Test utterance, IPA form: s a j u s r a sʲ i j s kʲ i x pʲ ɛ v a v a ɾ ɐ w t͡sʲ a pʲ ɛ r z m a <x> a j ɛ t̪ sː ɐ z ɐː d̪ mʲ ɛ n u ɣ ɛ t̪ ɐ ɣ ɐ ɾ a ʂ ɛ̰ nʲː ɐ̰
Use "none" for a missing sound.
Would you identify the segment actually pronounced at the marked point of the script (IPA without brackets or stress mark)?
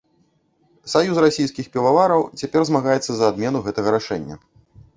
ɣ